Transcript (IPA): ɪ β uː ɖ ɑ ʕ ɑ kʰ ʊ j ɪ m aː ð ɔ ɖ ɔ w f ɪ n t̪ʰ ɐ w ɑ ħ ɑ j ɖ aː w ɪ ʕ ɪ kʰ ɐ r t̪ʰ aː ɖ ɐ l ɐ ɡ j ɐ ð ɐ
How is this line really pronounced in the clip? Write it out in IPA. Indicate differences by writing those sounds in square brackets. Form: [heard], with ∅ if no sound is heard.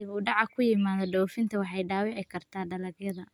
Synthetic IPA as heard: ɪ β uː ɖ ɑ ʕ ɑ kʰ ʊ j ɪ m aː ð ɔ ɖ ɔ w f ɪ n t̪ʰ ɐ w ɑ ħ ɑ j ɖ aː w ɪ ʕ ɪ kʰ ɐ r t̪ʰ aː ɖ ɐ l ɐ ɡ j ɐ ð ɐ